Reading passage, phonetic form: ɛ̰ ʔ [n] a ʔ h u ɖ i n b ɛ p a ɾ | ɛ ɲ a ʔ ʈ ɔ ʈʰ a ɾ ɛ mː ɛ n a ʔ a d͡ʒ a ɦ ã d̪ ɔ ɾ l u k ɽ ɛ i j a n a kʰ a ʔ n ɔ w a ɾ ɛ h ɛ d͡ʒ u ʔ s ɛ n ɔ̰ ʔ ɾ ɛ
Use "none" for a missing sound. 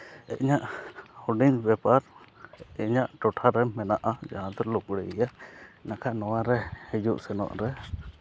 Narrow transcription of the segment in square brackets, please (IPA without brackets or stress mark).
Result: ɲ